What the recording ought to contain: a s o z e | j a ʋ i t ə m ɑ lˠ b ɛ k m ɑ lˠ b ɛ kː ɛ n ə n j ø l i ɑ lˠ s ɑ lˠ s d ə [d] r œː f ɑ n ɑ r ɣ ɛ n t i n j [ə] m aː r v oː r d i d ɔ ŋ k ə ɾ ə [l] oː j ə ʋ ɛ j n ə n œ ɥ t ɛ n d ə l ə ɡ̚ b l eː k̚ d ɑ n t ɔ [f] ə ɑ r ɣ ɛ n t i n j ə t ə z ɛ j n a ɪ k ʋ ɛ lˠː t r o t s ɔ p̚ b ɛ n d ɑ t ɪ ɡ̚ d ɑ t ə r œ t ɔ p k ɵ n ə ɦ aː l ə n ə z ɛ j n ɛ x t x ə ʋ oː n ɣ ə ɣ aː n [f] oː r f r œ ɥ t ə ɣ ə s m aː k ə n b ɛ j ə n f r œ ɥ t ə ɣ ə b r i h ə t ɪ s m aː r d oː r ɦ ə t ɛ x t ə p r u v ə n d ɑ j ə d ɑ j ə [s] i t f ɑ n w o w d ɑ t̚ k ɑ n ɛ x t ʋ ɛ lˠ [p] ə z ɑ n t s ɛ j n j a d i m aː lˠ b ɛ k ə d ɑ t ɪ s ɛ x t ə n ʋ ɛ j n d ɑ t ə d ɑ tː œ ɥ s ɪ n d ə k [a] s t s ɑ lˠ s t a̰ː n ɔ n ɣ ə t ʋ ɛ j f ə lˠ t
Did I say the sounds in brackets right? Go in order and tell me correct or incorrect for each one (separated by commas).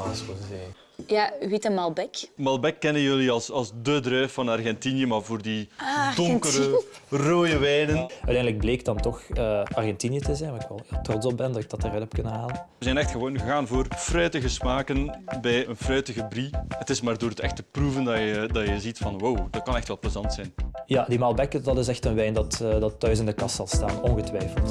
correct, correct, incorrect, incorrect, incorrect, incorrect, correct, incorrect